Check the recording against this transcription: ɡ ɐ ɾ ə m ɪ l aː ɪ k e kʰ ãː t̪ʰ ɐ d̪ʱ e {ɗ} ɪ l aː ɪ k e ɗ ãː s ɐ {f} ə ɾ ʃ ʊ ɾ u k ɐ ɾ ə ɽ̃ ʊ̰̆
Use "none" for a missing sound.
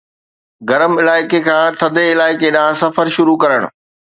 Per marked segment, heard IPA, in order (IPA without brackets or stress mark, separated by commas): none, f